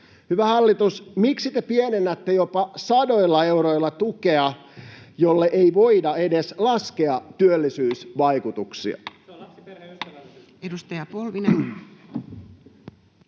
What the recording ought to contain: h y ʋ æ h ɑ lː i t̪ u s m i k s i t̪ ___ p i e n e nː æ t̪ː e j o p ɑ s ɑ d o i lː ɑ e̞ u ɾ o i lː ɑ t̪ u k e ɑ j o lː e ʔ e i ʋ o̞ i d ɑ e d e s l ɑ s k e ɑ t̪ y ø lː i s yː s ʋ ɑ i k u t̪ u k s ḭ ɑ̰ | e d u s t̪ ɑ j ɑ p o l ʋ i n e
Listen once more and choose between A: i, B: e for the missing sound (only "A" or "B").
B